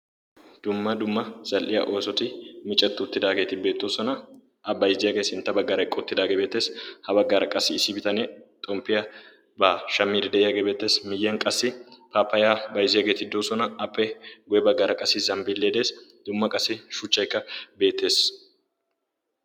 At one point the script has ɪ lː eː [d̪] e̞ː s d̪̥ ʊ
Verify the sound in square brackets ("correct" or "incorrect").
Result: correct